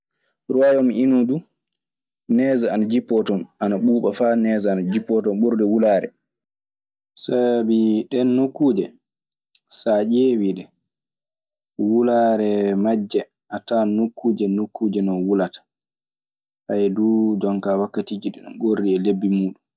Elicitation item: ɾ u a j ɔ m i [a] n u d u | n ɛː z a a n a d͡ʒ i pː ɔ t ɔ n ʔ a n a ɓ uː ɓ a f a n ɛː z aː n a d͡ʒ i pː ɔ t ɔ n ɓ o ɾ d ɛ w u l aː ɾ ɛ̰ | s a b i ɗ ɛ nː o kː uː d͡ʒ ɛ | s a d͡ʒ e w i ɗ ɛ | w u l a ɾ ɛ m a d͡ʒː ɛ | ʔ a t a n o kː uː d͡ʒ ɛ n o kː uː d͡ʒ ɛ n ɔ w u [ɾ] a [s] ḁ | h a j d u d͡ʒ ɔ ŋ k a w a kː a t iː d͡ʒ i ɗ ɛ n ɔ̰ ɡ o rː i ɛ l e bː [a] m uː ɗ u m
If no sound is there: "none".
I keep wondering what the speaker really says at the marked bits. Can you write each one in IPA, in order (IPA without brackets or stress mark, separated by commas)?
i, l, t, i